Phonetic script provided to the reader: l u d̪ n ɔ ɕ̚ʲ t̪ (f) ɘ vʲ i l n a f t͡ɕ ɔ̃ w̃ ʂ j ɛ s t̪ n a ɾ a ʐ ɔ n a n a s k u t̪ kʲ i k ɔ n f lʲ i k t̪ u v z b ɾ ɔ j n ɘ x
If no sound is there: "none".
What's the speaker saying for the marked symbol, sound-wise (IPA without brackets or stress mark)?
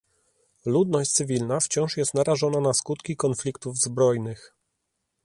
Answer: s